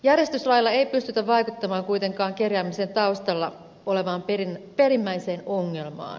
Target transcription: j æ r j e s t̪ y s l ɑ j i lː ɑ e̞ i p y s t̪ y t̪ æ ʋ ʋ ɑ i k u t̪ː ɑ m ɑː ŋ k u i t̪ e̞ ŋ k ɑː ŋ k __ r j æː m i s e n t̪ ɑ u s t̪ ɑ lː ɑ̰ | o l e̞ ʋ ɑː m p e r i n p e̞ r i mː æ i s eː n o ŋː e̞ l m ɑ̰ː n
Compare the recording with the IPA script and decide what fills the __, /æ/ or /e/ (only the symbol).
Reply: e